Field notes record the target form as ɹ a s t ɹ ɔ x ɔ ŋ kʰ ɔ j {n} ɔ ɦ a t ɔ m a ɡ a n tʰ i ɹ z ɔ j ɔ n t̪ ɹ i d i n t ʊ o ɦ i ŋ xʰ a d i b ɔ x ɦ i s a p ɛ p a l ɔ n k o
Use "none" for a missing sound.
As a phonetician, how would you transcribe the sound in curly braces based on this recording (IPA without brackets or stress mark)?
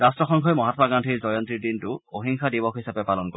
m